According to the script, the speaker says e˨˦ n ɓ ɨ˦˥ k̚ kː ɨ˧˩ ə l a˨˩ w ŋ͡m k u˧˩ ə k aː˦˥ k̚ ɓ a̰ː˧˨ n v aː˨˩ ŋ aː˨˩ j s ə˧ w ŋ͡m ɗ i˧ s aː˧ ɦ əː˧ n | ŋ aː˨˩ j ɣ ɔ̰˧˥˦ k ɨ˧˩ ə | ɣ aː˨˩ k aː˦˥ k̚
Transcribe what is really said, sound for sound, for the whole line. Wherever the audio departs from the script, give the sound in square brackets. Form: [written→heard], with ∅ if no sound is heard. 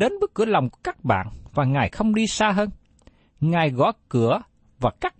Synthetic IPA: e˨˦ n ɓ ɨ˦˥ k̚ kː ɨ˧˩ ə l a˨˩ w ŋ͡m k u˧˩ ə k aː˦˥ k̚ ɓ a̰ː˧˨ n v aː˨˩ ŋ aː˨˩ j [s→x] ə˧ w ŋ͡m ɗ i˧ s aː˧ ɦ əː˧ n | ŋ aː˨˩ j ɣ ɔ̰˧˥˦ k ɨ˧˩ ə | [ɣ→v] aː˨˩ k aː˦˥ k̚